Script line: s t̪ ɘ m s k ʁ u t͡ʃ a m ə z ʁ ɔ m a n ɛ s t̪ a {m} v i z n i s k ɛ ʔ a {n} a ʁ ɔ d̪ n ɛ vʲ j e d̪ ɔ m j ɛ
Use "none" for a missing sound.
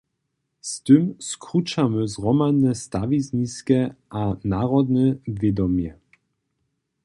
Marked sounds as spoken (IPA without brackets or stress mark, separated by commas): none, n